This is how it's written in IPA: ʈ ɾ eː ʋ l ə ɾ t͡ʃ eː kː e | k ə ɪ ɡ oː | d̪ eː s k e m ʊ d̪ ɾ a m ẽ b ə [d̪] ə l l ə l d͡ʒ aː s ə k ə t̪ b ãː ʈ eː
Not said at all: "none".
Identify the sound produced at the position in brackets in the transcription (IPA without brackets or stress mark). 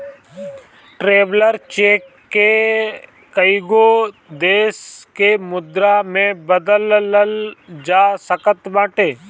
d̪